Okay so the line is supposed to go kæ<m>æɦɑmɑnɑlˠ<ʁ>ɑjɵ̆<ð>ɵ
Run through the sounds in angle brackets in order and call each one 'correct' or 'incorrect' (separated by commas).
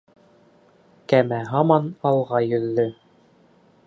correct, correct, incorrect